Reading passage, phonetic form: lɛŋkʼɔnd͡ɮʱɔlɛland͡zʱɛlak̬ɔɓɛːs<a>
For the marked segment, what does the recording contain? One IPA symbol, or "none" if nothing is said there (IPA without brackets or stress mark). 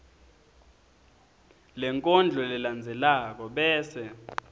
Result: ɛ